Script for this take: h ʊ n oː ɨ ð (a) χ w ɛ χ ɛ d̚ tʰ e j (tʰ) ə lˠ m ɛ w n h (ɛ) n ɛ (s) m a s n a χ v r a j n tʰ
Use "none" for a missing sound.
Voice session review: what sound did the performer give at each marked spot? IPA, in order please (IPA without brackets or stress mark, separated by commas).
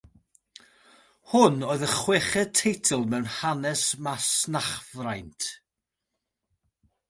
ə, tʰ, a, s